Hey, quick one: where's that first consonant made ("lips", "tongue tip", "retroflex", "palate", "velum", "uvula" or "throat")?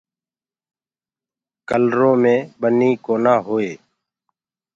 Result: velum